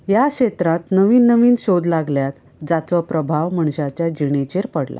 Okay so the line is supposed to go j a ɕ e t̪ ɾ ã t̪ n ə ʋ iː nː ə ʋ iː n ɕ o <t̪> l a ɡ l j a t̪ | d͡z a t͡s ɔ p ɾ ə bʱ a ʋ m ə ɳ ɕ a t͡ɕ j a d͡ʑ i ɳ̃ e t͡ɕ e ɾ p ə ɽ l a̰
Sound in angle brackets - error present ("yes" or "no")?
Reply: yes